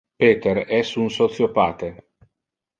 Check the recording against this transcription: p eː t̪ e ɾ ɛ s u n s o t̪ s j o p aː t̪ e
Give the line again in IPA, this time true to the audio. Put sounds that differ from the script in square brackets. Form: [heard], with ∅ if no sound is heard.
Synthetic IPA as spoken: p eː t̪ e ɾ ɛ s u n s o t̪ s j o p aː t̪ e